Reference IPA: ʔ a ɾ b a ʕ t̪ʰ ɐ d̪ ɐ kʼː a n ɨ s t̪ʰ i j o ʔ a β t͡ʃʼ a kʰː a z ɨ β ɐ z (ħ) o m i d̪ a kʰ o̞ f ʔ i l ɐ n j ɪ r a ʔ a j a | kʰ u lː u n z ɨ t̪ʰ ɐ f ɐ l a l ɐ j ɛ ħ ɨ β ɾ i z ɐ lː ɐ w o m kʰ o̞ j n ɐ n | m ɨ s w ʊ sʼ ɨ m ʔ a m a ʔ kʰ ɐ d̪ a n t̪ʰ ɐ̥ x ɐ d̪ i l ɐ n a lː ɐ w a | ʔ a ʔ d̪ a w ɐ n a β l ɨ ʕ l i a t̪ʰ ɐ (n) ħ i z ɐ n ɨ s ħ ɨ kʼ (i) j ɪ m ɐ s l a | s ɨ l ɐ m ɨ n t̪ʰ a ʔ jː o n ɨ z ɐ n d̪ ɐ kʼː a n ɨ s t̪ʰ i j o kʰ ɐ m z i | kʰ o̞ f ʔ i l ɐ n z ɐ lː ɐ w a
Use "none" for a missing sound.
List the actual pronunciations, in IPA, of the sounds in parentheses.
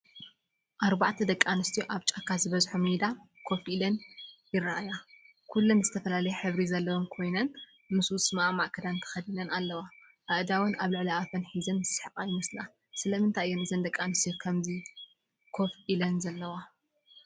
ħ, n, a

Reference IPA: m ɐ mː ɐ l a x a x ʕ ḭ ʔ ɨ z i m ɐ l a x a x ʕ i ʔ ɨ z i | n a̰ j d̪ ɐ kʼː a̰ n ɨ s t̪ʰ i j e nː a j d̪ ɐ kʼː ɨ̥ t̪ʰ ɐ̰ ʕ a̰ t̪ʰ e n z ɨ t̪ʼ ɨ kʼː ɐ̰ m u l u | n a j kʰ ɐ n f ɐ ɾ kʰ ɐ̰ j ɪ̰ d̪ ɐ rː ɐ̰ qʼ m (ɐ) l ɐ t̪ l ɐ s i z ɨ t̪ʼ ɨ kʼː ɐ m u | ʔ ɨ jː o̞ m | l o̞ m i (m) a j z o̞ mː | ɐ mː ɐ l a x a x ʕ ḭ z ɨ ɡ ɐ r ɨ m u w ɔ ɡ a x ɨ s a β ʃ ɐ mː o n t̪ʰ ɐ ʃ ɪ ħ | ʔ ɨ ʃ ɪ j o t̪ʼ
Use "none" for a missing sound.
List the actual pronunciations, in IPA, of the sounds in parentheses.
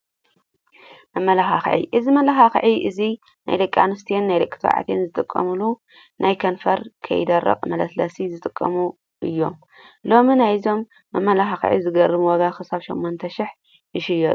ɐ, n

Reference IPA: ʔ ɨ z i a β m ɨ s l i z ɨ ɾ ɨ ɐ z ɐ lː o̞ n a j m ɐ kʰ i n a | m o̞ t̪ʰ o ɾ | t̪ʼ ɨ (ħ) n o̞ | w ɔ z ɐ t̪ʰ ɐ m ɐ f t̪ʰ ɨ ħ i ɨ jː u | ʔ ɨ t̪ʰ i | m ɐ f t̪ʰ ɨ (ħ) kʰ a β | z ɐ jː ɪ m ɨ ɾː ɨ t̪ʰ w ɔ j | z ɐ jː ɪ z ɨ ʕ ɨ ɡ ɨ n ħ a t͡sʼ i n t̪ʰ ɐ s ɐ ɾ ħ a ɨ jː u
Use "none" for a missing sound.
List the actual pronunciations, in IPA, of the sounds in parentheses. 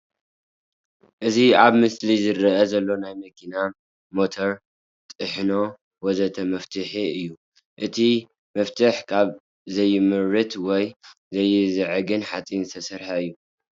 ħ, ħ

